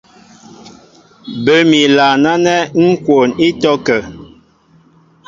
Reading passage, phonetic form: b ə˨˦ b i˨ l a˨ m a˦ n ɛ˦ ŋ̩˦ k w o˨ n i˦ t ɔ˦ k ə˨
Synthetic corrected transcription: b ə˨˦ m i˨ l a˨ n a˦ n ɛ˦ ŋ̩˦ k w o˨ n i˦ t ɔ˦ k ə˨